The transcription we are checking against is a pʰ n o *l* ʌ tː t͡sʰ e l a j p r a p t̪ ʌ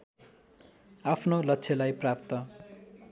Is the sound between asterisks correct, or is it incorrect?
correct